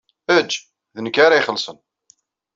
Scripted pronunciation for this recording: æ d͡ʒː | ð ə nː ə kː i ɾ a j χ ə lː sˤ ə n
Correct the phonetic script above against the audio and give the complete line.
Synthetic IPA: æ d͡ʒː | ð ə n ə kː a ɾ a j χ ə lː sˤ ə n